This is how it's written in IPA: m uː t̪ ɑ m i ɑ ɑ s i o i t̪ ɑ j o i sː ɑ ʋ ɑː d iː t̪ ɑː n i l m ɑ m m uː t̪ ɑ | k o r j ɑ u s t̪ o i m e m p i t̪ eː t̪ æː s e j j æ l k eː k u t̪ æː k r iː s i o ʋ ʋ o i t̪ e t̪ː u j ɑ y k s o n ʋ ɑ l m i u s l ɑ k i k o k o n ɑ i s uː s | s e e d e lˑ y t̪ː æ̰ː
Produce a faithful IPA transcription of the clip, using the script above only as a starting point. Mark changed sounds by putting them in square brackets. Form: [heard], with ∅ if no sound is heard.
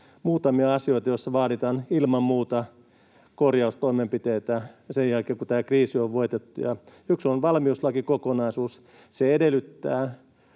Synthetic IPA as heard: m uː t̪ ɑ m i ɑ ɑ s i o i t̪ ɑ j o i sː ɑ ʋ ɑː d [i] t̪ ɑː n i l m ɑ m m uː t̪ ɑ | k o r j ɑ u s t̪ o i m e m p i t̪ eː t̪ [æ] s e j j æ l k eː k u t̪ æː k r iː s i o ʋ ʋ o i t̪ e t̪ː u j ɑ y k s o n ʋ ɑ l m i u s l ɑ k i k o k o n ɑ i s uː s | s e e d e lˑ y t̪ː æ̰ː